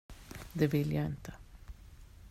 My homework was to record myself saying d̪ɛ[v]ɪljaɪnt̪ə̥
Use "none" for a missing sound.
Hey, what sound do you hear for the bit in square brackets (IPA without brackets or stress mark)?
v